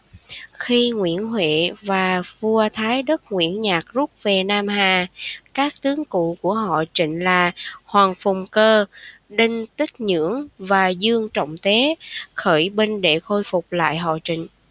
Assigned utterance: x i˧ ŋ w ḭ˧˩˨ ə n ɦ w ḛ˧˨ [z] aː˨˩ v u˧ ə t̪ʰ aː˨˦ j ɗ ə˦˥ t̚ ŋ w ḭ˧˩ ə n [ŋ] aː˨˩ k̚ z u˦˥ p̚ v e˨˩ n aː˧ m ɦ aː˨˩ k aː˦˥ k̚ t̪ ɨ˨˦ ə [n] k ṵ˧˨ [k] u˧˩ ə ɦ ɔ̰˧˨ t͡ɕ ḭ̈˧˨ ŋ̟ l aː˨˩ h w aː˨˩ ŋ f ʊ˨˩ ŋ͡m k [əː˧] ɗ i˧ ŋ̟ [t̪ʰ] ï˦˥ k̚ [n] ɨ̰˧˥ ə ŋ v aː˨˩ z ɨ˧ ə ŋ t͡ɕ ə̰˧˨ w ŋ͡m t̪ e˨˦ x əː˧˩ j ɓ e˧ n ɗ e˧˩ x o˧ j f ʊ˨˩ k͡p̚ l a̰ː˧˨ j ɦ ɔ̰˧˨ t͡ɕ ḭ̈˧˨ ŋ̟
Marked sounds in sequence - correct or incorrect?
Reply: incorrect: v, incorrect: ɲ, incorrect: ŋ, correct, correct, incorrect: t̪, incorrect: ɲ

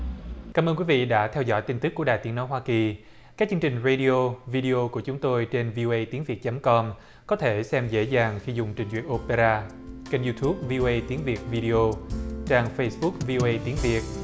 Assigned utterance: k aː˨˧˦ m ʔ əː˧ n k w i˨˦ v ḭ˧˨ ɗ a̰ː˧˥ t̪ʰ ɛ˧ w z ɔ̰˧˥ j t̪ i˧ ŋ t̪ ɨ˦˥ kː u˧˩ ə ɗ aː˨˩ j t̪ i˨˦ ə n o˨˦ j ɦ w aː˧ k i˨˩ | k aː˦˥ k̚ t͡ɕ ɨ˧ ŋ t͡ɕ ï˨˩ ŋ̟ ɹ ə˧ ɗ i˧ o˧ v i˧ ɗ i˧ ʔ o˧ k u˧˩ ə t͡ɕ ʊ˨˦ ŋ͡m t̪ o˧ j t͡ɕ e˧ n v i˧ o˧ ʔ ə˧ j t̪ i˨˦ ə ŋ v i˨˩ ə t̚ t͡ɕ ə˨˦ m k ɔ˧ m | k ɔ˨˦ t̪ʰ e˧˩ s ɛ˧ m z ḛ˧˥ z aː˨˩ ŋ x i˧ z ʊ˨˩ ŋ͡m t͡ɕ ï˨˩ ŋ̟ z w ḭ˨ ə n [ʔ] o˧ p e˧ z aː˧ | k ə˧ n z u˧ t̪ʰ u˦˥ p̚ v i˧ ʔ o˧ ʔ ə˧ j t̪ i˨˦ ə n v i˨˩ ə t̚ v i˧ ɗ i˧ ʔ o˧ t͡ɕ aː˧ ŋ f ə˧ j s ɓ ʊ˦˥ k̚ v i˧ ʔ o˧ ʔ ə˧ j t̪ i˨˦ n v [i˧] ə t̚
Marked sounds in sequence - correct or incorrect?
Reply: correct, incorrect: i˨˩

